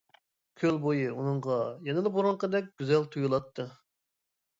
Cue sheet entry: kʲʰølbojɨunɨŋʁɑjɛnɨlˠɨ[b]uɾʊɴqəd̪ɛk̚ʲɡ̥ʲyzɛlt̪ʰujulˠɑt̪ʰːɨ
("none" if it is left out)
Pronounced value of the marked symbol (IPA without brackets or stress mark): b